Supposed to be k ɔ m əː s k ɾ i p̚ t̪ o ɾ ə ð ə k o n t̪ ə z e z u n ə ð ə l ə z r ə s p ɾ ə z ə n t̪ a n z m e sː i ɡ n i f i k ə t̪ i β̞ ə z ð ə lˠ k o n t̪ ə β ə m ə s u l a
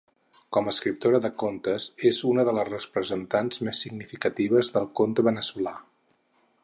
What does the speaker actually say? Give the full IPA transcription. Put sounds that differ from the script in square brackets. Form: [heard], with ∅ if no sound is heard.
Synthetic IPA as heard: k ɔ m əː s k ɾ i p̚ t̪ o ɾ ə ð ə k o n t̪ ə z e z u n ə ð ə l ə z r ə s p ɾ ə z ə n t̪ a n z m e sː i ɡ n i f i k ə t̪ i β̞ ə z ð ə lˠ k o n t̪ ə β ə [n] ə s u l a